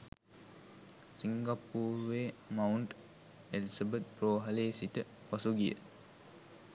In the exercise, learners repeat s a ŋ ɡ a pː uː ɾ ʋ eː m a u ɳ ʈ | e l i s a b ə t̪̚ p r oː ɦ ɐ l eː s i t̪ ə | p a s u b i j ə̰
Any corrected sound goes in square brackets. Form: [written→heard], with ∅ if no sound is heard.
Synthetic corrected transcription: s [a→i] ŋ ɡ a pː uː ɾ ʋ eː m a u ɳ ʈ | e l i s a b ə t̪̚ p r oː ɦ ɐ l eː s i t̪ ə | p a s u [b→ɡ] i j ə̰